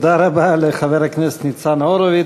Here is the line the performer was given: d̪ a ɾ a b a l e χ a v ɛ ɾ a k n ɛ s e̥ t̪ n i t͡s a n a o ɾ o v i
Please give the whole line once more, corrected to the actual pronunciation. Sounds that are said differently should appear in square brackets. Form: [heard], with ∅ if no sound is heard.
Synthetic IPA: d̪ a ɾ a b a l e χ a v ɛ ɾ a k n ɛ s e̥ t̪ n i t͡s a n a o ɾ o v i